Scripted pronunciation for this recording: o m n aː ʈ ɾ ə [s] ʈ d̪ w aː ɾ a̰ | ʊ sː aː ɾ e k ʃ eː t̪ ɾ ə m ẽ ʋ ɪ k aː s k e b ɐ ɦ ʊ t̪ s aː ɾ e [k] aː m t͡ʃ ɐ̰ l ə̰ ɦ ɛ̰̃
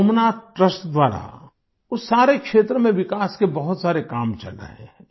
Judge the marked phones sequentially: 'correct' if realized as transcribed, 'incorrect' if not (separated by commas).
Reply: correct, correct